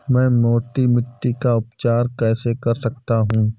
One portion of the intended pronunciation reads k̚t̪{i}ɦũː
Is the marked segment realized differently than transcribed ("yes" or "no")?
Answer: yes